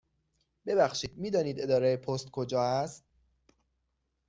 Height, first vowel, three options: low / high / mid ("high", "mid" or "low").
mid